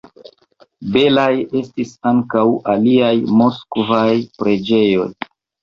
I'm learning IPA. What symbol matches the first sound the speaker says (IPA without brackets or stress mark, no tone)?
b